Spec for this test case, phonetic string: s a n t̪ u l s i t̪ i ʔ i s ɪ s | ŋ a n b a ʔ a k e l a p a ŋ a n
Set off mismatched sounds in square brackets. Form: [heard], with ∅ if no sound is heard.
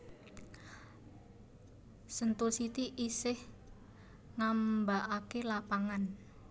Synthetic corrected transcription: s [ə] n t̪ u l s i t̪ i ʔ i s ɪ [h] | ŋ a [m] b a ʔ a k e l a p a ŋ a n